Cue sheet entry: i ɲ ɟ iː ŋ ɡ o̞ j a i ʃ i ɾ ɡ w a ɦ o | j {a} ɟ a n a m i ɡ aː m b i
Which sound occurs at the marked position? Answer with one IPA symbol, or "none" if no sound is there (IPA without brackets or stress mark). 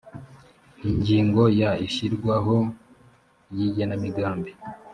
i